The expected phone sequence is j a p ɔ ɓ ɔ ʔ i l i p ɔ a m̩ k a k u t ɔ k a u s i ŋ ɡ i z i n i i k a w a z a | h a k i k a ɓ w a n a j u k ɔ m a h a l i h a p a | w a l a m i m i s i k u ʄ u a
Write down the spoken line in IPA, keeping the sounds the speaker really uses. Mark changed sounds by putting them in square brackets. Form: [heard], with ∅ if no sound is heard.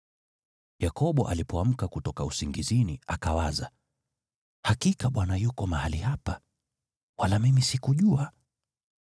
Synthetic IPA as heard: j a [k] ɔ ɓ ɔ ʔ [a] l i p ɔ a m̩ k a k u t ɔ k a u s i ŋ ɡ i z i n i [a] k a w a z a | h a k i k a ɓ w a n a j u k ɔ m a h a l i h a p a | w a l a m i m i s i k u ʄ u a